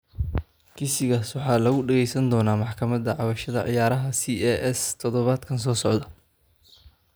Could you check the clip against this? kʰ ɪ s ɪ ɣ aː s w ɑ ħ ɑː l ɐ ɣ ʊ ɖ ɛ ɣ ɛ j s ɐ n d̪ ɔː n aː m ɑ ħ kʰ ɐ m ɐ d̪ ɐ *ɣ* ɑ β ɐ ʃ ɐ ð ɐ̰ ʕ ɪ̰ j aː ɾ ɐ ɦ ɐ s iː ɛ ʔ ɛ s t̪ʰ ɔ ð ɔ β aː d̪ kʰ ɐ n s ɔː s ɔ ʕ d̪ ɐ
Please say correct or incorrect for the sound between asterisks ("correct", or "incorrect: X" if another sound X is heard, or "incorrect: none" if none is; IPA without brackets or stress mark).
incorrect: ʕ